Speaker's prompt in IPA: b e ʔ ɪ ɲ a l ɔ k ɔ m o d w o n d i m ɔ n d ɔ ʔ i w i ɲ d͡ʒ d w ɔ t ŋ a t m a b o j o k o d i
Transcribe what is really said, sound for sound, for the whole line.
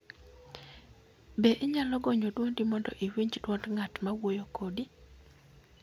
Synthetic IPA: b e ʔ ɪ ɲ a l ɔ ɡ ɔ ɲ o d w o n d i m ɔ n d ɔ ʔ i w i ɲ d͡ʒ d w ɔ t ŋ a t m a w o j o k o d i